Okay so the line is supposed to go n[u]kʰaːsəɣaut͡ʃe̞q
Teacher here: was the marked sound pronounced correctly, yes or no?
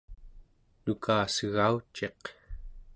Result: yes